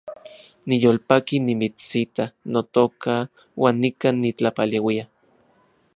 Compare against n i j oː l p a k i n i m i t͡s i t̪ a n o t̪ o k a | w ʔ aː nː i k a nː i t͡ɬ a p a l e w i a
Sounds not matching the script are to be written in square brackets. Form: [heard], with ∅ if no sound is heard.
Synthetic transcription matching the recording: n i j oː l p a k i n i m i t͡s i t̪ a n o t̪ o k a | w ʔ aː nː i k a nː i t͡ɬ a p a l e w i a